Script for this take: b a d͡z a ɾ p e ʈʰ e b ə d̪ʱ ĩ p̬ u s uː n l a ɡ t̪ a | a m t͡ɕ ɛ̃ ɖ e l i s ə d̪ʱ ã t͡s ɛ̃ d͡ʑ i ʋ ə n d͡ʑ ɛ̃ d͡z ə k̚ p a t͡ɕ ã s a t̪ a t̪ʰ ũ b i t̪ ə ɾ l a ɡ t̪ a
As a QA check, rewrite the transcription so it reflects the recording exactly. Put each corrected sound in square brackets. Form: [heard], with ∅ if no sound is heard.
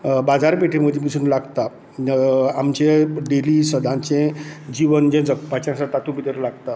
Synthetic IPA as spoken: b a d͡z a ɾ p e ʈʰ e [m] ə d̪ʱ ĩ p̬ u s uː n l a ɡ t̪ a | a m t͡ɕ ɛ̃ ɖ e l i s ə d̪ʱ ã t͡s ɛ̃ d͡ʑ i ʋ ə n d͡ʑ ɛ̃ d͡z ə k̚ p a t͡ɕ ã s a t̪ a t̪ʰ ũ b i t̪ ə ɾ l a ɡ t̪ a